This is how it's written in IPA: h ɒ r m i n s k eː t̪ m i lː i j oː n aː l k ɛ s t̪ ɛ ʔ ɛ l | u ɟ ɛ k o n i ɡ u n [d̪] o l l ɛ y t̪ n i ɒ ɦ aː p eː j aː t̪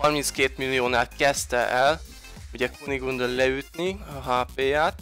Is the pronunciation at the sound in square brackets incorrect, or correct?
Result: correct